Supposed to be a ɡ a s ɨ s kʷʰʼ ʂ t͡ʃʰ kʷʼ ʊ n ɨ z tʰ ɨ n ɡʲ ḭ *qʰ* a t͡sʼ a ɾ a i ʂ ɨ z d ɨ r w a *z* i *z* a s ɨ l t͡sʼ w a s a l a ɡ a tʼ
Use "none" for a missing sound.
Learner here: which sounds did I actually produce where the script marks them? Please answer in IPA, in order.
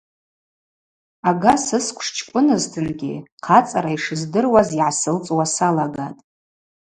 qʰ, z, ʕ

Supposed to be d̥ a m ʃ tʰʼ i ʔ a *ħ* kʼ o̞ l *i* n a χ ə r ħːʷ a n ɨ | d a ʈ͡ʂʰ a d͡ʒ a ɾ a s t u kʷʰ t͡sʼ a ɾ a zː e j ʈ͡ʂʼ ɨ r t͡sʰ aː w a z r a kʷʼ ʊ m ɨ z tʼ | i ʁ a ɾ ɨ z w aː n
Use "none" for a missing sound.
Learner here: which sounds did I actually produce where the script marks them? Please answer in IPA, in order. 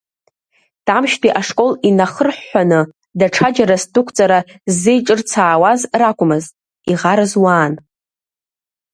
ʂ, i

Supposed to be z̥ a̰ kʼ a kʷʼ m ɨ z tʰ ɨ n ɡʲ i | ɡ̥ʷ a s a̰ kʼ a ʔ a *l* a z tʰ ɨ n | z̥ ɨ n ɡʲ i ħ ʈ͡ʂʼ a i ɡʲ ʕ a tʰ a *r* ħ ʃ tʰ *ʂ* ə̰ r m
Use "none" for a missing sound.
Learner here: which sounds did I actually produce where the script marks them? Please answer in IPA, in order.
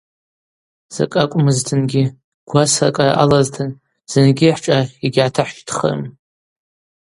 l, none, χ

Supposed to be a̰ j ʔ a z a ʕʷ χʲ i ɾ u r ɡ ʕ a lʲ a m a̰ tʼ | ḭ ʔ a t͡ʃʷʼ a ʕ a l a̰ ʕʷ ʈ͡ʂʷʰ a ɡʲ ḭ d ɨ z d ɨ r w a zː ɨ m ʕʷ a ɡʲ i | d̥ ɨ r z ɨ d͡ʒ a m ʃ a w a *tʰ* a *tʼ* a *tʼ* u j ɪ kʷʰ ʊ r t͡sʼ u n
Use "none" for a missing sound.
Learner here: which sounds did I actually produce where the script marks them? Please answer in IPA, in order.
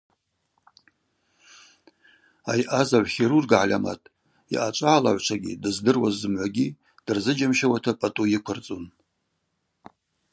tʰ, pʼ, tʼ

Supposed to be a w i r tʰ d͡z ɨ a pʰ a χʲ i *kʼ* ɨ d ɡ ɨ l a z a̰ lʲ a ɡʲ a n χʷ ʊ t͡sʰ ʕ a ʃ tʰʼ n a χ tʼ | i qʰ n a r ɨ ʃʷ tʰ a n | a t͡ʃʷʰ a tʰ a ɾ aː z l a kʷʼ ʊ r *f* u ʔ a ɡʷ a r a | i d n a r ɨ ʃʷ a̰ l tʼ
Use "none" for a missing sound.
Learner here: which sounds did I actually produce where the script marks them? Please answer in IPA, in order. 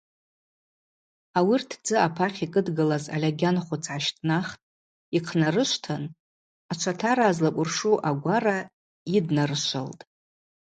kʼ, ʂ

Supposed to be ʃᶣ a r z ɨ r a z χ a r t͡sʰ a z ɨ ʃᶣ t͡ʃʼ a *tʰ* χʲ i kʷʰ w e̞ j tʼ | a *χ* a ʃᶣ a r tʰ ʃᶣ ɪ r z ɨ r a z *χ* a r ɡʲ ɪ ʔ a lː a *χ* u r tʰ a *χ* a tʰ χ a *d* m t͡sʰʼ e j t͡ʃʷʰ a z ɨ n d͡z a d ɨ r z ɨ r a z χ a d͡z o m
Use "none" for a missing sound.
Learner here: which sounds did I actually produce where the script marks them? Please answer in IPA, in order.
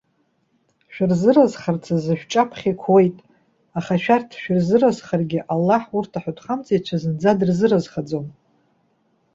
pʰ, χ, χ, ħ, ħ, none

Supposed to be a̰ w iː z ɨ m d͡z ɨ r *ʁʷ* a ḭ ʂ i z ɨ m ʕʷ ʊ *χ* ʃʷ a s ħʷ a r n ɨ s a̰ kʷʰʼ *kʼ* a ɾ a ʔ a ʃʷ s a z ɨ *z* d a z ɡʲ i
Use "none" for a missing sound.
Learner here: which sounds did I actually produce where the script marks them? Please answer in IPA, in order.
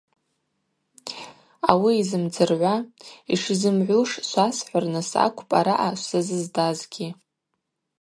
ʕʷ, ʂ, pʼ, z

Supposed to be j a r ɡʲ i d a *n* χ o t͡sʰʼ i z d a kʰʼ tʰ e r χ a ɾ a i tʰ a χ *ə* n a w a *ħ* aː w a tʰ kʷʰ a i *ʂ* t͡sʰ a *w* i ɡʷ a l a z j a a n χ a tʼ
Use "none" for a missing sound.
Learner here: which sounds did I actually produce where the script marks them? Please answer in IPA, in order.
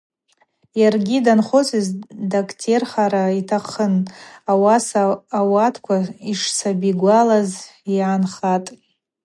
n, ə, s, ʂ, b

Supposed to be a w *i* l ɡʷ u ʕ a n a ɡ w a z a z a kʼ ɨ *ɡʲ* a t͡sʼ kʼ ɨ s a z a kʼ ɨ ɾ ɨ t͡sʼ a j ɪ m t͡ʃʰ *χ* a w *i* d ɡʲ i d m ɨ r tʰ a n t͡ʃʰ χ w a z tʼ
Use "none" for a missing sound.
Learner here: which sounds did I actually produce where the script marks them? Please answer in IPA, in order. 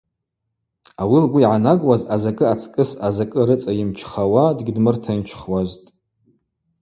i, none, χ, a

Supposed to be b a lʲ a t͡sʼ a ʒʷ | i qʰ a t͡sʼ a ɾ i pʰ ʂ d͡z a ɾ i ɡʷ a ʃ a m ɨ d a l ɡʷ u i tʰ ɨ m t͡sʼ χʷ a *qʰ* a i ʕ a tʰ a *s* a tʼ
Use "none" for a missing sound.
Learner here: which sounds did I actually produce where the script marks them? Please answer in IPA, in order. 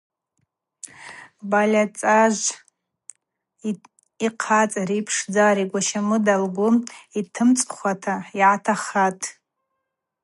tʰ, χ

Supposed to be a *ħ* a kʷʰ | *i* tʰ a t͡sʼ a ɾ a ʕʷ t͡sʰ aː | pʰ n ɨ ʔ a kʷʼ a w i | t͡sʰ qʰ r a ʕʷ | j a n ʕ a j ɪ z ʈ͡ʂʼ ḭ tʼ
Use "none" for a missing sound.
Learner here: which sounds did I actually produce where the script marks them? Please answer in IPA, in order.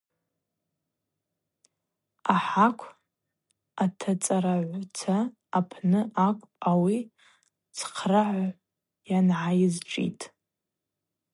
ħ, a

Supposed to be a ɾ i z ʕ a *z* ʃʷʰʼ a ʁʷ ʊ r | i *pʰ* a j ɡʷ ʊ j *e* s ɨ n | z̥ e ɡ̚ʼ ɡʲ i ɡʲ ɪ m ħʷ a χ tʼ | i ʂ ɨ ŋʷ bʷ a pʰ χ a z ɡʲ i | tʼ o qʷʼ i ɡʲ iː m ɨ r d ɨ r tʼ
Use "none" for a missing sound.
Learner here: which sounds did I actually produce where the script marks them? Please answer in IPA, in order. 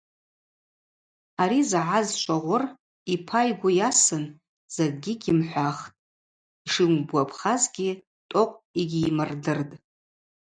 z, pʰ, a

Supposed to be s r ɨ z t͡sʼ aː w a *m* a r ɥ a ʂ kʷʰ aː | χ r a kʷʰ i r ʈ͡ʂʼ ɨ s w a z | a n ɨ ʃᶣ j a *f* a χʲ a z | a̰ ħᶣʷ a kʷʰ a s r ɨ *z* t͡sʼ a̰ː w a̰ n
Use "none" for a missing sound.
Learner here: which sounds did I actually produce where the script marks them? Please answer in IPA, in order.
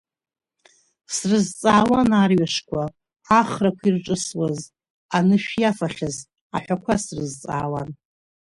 n, f, z

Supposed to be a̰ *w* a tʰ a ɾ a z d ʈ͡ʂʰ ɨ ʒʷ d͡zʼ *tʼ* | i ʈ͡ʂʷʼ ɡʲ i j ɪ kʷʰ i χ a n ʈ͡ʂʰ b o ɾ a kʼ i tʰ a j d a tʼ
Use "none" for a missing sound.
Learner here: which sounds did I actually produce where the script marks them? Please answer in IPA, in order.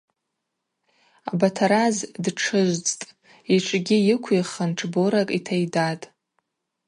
b, tʼ

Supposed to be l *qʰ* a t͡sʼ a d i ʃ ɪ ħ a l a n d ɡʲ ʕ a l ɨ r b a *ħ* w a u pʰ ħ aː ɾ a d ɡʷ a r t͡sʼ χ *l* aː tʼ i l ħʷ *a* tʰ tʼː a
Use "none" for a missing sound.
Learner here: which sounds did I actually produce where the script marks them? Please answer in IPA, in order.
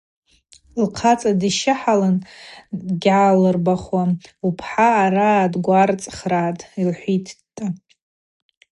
qʰ, χ, r, i

